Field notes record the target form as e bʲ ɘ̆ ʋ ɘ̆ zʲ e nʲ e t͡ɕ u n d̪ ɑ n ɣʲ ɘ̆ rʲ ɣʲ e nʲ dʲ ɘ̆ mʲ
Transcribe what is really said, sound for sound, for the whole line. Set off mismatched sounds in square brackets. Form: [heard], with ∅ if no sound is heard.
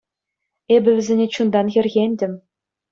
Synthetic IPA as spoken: e bʲ ɘ̆ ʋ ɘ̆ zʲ e nʲ e t͡ɕ u n d̪ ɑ n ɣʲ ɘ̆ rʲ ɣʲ e nʲ dʲ ɘ̆ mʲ